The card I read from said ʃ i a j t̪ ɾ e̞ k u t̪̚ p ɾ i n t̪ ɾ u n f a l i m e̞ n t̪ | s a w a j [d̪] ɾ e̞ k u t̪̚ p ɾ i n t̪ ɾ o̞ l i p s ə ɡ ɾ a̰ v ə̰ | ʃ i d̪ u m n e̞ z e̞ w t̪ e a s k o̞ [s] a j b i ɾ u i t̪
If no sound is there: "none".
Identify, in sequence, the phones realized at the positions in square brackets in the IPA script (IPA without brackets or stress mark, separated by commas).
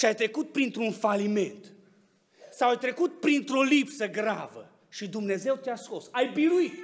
t̪, s